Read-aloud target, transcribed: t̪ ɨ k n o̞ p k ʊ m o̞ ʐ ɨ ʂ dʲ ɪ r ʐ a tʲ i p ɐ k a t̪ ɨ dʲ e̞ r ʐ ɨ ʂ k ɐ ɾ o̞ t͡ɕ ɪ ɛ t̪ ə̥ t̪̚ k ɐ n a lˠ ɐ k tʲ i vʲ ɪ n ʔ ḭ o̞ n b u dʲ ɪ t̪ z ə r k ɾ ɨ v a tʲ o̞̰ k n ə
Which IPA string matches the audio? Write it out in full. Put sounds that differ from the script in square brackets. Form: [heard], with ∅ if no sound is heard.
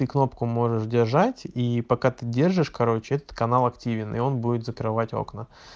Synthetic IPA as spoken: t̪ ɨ k n o̞ p k ʊ m o̞ ʐ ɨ ʂ dʲ ɪ r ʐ a tʲ i p ɐ k a t̪ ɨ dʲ e̞ r ʐ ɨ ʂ k ɐ ɾ o̞ t͡ɕ ɪ ɛ t̪ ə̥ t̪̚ k ɐ n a lˠ ɐ k tʲ i vʲ ɪ n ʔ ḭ o̞ n b u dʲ ɪ t̪ z ə [∅] k ɾ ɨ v a tʲ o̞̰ k n ə